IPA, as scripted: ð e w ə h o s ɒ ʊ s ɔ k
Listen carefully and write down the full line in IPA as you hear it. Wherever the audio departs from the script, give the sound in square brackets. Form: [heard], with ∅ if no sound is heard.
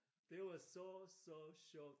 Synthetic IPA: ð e w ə [s] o s [o] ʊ [ʃ] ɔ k